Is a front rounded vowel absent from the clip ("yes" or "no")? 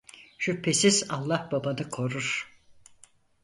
no